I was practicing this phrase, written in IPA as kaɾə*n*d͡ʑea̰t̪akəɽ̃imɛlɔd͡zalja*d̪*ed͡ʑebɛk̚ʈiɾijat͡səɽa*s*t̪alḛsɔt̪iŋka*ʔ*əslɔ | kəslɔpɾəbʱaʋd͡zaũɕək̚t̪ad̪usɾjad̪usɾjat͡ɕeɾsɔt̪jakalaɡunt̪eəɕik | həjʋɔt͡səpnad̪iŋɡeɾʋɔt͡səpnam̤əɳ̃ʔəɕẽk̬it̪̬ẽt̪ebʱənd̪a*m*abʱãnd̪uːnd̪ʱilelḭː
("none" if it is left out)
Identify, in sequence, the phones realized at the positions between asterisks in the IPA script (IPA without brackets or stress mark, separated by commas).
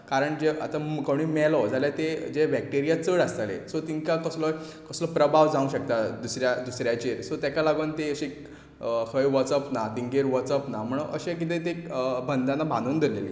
ɳ, t̪, s, k, n